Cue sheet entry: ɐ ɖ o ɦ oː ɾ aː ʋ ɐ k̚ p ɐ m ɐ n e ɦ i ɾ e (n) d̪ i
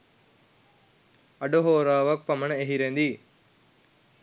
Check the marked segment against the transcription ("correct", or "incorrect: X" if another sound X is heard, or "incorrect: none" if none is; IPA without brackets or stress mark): correct